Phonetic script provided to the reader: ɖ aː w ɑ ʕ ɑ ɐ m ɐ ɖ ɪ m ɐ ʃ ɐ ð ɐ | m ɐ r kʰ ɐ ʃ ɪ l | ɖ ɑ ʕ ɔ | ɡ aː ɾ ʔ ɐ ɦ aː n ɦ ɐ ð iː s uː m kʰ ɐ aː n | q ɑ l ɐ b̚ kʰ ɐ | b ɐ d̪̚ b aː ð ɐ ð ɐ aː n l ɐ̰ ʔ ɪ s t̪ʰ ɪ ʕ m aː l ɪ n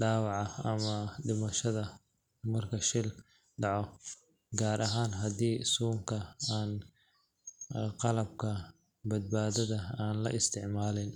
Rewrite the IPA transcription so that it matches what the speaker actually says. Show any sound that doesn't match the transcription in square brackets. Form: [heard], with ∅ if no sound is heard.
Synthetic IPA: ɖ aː w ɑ ʕ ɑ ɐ m ɐ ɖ ɪ m ɐ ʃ ɐ ð ɐ | m ɐ r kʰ ɐ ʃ ɪ l | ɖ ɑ ʕ ɔ | ɡ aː ɾ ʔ ɐ ɦ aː n ɦ ɐ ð iː s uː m kʰ ɐ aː n | q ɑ l ɐ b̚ kʰ ɐ | b ɐ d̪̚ b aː ð ɐ ð ɐ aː n l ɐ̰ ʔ ɪ s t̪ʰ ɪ ʕ m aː l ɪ n